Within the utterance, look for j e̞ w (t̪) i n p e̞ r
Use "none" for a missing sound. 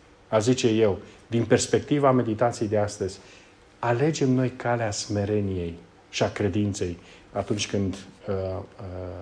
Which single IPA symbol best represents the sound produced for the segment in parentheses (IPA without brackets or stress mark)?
d̪